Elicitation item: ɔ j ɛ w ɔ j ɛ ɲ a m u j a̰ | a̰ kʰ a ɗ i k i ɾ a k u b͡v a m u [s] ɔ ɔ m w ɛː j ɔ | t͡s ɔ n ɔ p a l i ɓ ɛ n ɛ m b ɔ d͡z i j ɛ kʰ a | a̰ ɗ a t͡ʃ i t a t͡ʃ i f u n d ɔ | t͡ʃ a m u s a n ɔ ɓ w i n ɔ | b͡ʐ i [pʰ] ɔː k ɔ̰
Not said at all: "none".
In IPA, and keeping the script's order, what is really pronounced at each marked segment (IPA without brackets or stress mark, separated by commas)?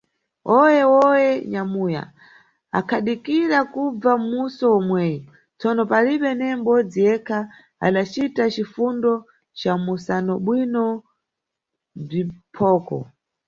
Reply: s, pʰ